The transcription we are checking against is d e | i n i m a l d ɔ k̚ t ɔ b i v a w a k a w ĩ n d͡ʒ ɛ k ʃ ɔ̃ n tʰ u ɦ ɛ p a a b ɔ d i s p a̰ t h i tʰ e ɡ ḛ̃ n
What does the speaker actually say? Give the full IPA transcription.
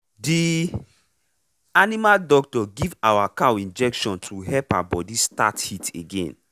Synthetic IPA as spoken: d i | a n i m a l d ɔ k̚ t ɔ ɡ i v a w a k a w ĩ n d͡ʒ ɛ k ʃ ɔ̃ n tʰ u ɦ ɛ p a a b ɔ d i s t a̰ t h i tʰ e ɡ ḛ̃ n

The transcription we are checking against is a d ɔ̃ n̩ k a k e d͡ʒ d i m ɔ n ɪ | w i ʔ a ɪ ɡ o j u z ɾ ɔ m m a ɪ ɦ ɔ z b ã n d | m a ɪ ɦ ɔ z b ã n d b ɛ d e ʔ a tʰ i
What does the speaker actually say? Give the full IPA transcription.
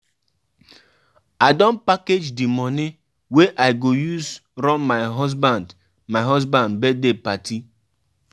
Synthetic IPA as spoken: a d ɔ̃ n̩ p a k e d͡ʒ d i m ɔ n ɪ | w e ʔ a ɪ ɡ o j u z ɾ ɔ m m a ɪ ɦ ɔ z b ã n d | m a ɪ ɦ ɔ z b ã n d b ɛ d e p a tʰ i

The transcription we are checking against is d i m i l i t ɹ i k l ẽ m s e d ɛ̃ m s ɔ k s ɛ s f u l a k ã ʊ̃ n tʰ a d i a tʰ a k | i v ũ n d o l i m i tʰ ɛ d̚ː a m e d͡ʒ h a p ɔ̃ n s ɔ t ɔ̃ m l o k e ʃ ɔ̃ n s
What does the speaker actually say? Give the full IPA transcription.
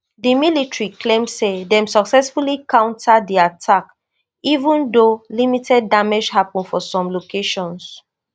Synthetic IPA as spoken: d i m i l i t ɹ i k l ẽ m s e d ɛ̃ m s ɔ k s ɛ s f u l i k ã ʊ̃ n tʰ a d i a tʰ a k | i v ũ n d o l i m i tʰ ɛ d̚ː a m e d͡ʒ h a p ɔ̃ n f ɔ s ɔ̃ m l o k e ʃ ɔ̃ n s

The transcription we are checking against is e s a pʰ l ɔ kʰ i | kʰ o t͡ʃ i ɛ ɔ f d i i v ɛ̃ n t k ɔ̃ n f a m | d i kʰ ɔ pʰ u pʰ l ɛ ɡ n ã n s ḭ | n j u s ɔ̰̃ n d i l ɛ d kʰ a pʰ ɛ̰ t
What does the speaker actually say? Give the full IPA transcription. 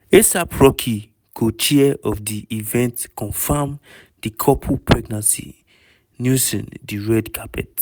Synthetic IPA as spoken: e s a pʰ ɹ ɔ kʰ i | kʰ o t͡ʃ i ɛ ɔ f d i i v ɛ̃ n t k ɔ̃ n f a m | d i kʰ ɔ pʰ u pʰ ɹ ɛ ɡ n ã n s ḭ | n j u s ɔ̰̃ n d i ɹ ɛ d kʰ a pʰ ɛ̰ t

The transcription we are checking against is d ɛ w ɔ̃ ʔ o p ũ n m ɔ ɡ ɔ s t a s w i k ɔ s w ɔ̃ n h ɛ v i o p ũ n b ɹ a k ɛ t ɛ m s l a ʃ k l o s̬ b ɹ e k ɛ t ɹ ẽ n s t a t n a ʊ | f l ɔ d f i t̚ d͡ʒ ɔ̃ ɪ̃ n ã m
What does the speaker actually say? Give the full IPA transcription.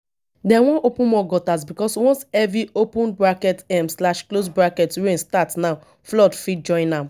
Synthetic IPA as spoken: d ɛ w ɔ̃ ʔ o p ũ n m ɔ ɡ ɔ t a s b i k ɔ s w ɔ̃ n s ɛ v i o p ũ n b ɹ a k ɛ t ɛ m s l a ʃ k l o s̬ b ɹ a k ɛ t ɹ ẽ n s t a t n a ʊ | f l ɔ d f i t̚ d͡ʒ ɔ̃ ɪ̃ n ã m

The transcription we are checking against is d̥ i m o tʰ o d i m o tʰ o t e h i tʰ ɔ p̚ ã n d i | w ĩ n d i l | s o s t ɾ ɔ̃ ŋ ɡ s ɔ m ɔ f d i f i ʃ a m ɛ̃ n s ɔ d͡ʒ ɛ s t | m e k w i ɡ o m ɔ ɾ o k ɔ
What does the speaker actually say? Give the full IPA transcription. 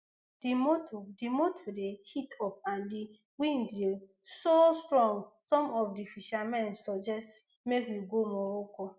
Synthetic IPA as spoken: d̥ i m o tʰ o d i m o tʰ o d e h i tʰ ɔ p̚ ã n d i | w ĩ n d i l | s o s t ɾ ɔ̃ ŋ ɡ s ɔ m ɔ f d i f i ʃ a m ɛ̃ n s ɔ d͡ʒ ɛ s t | m e k w i ɡ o m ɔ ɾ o k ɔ

